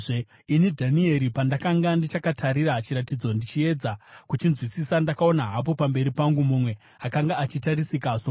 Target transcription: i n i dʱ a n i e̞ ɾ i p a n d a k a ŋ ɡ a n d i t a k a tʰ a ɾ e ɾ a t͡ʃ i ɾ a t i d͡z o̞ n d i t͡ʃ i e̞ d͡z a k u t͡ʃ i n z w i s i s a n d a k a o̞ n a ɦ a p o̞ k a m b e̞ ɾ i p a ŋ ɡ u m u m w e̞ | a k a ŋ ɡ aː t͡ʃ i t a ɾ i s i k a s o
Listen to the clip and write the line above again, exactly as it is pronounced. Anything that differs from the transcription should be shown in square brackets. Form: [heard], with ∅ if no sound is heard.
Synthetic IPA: i n i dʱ a n i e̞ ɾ i p a n d a k a ŋ ɡ a n d i [t͡ʃ] a k a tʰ a ɾ [i] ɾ a t͡ʃ i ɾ a t i d͡z o̞ n d i t͡ʃ i e̞ d͡z a k u t͡ʃ i n z w i s i s a n d a k a o̞ n a ɦ a p o̞ [p] a m b e̞ ɾ i p a ŋ ɡ u m u m w e̞ | a k a ŋ ɡ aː t͡ʃ i t a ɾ i s i k a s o